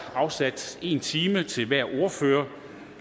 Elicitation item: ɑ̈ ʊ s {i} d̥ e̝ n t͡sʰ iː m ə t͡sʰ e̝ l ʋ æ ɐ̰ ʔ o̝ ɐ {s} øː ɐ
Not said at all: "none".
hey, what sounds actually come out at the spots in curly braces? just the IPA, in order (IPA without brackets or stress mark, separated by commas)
æ, f